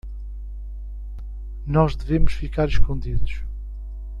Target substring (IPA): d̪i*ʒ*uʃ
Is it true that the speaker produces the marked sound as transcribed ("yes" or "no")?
no